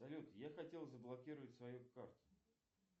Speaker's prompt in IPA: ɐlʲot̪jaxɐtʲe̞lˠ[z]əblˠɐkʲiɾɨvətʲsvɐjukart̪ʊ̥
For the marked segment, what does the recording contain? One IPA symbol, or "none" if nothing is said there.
z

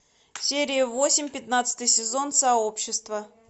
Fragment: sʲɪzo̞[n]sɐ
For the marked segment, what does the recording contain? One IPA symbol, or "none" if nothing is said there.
n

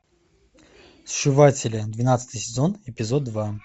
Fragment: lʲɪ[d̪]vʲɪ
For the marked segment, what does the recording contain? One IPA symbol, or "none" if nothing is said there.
d̪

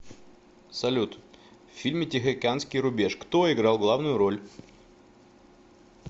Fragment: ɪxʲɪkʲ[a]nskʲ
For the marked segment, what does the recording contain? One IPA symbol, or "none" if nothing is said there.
a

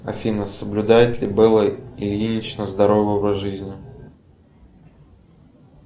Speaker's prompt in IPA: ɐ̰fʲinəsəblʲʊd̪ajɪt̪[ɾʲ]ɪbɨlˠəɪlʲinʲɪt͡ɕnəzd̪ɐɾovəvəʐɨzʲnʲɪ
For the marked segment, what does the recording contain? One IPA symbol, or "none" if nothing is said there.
lʲ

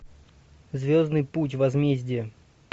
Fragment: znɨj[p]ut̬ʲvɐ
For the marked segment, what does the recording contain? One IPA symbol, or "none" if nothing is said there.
p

